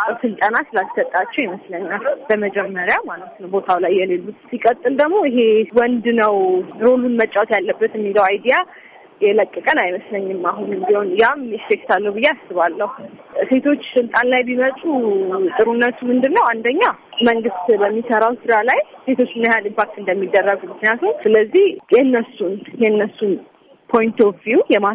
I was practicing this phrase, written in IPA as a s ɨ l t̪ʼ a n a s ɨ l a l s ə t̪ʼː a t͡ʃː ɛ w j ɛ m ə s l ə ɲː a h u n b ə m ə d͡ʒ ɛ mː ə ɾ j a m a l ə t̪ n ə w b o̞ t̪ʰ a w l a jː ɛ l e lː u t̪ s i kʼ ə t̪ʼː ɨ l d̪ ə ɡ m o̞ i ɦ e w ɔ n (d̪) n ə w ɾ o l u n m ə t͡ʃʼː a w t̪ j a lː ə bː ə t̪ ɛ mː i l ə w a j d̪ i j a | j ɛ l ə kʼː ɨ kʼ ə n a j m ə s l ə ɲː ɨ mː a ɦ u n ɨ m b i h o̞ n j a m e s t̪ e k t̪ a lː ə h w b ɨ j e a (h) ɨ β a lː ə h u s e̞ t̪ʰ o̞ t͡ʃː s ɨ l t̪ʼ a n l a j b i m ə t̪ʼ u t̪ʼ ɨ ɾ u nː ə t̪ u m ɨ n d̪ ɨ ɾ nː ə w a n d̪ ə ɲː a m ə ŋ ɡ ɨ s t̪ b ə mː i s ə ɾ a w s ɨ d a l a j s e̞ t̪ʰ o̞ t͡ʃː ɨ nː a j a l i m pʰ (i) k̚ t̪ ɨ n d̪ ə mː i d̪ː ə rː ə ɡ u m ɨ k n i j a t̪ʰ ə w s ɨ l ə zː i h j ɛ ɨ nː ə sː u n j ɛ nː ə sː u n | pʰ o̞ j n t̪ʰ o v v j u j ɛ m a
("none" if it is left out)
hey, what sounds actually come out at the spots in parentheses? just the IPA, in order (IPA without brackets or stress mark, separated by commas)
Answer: d̪, s, a